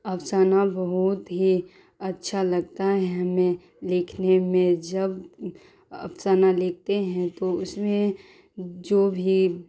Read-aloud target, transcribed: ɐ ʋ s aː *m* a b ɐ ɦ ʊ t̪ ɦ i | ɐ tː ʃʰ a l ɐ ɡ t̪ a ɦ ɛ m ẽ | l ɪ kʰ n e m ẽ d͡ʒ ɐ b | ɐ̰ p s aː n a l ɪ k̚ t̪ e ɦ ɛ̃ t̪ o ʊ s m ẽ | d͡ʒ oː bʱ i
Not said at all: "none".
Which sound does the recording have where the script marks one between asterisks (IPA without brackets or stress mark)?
n